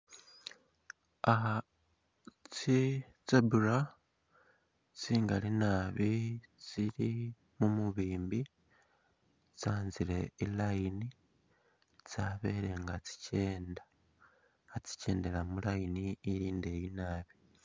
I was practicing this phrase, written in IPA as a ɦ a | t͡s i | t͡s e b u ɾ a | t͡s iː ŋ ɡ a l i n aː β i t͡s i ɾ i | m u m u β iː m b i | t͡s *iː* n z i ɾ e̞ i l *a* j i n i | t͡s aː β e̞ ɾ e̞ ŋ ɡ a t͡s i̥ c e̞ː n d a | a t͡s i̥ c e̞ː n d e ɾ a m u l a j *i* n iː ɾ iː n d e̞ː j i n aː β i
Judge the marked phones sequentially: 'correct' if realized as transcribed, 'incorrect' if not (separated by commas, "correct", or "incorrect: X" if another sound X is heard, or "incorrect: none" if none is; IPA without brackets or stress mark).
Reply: incorrect: aː, correct, correct